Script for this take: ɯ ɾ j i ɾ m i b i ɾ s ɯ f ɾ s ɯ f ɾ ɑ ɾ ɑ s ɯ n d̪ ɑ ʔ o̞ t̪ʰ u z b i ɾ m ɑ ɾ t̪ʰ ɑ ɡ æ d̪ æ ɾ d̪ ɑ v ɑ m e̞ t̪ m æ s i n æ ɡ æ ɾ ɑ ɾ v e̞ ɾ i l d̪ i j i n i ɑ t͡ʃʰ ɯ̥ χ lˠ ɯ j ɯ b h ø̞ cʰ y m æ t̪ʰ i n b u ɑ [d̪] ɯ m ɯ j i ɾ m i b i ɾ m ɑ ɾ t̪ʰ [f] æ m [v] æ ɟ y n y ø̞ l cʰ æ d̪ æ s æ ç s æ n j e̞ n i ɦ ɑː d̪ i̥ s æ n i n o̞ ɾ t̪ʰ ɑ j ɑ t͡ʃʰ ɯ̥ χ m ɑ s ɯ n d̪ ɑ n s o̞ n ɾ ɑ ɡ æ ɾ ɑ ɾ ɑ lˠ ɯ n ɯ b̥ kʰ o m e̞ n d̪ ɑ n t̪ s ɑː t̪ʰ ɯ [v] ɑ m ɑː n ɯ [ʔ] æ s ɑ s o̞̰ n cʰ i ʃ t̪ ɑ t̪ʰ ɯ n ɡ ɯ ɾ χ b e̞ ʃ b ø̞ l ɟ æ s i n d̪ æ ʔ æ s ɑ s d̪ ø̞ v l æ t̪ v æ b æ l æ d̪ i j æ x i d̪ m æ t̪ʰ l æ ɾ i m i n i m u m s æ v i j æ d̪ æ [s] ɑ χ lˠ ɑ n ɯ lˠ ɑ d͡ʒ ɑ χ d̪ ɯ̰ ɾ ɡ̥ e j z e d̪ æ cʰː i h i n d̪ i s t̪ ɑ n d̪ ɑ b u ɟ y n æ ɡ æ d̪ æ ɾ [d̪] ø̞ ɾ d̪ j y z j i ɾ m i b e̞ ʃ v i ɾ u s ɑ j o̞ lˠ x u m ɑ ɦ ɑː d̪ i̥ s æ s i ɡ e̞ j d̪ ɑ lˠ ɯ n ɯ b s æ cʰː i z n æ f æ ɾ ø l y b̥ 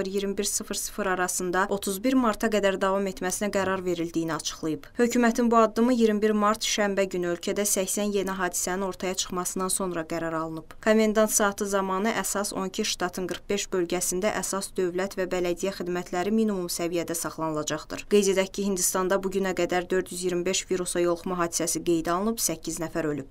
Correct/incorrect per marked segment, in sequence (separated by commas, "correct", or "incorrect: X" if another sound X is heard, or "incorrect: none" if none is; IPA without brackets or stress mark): incorrect: d̪ː, incorrect: ʃ, incorrect: b, incorrect: z, correct, correct, correct